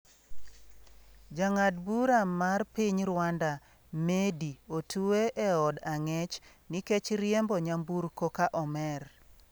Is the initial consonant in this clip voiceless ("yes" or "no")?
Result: no